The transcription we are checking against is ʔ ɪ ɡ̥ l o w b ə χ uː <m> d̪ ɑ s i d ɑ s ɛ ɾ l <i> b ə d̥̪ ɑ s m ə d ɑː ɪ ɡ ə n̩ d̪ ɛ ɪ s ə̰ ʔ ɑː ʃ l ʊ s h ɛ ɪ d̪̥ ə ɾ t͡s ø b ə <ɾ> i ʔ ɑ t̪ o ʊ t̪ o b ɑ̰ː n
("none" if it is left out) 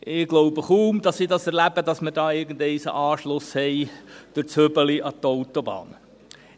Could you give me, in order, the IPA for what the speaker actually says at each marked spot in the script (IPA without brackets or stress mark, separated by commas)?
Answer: m, æ, l